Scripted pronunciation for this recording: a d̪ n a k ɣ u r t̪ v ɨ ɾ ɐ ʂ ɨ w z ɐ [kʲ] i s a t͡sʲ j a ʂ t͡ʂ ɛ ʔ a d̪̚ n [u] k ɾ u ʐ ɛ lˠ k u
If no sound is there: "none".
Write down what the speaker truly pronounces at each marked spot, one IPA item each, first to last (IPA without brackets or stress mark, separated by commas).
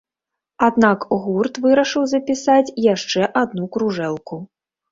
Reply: pʲ, u